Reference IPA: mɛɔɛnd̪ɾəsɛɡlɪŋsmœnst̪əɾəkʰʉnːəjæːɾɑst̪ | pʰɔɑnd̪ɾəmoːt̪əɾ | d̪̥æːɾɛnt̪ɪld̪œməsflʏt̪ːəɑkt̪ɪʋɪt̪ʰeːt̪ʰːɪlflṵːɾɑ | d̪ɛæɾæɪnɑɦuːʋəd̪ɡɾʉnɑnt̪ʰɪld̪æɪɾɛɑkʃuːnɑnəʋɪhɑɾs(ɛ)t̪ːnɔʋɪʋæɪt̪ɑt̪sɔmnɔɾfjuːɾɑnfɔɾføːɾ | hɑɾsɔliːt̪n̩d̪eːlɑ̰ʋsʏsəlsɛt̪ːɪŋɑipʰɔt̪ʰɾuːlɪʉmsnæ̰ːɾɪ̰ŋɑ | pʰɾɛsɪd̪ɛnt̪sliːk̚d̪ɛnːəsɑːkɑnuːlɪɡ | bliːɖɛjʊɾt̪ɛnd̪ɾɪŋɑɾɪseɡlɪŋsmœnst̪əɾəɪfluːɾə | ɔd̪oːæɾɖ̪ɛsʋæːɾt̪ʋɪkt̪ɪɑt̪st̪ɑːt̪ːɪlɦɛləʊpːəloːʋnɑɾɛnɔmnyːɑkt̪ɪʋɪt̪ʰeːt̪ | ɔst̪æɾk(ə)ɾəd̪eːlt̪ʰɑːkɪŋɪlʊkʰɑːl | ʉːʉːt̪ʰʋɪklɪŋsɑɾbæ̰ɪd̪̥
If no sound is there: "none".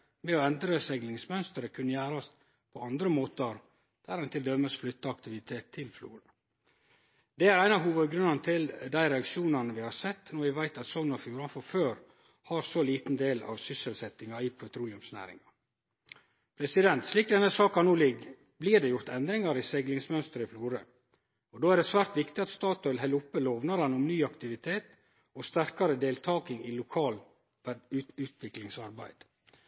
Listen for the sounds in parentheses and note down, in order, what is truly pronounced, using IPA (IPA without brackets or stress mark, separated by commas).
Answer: ɛ, ɑ